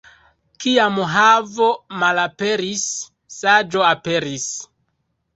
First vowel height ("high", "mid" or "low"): high